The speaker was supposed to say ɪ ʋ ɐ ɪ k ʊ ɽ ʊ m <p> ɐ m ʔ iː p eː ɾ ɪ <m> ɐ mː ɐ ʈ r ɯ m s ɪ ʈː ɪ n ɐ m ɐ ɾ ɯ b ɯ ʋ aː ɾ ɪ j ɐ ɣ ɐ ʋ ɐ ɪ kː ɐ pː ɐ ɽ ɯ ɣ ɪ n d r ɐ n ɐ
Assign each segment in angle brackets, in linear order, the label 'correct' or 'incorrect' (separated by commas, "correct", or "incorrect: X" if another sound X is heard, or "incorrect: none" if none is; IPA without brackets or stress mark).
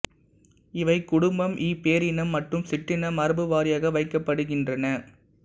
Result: incorrect: b, incorrect: n